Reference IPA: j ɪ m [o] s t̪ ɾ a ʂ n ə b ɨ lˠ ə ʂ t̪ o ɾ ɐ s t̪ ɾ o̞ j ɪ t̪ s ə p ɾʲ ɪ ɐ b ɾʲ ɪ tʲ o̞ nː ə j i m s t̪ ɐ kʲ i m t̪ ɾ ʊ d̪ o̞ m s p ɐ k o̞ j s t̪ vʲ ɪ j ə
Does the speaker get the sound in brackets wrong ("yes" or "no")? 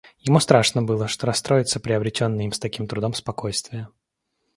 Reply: yes